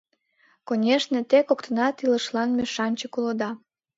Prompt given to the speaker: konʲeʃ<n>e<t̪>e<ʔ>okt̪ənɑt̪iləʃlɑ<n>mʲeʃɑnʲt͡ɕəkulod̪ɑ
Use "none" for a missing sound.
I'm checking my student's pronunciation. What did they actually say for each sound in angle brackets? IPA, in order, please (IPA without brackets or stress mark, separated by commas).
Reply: n, t̪, k, n